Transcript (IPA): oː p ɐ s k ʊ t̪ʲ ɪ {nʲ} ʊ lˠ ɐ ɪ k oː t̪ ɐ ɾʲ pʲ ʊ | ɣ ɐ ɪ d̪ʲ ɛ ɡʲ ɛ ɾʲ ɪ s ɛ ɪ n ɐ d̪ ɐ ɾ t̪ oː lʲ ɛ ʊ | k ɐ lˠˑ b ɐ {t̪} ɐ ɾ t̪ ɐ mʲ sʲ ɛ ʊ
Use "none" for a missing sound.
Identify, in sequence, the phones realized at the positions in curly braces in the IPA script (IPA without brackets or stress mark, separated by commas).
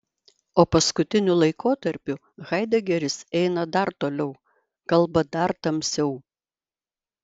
nʲ, d̪